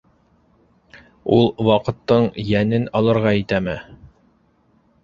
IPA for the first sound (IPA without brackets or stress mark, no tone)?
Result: u